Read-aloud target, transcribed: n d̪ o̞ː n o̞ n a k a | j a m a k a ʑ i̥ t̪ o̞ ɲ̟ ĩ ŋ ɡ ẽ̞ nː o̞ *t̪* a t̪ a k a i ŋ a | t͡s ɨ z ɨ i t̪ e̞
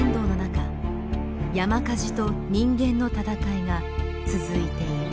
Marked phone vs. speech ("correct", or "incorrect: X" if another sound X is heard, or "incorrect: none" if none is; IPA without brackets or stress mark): correct